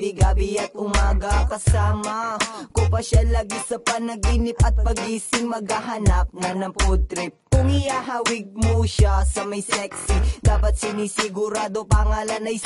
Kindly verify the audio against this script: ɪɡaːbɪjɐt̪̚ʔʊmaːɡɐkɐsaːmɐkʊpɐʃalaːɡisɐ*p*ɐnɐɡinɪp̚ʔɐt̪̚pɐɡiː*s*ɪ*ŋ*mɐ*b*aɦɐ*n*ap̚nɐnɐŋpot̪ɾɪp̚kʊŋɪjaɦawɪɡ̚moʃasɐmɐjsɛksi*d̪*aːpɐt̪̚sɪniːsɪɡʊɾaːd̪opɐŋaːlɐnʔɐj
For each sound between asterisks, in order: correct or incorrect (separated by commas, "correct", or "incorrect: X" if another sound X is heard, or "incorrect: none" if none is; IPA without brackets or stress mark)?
correct, correct, correct, incorrect: ɡ, correct, correct